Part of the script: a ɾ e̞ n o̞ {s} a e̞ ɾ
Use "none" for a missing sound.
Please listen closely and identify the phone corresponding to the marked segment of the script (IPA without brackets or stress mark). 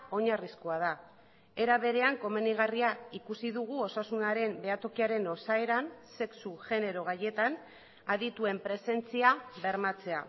s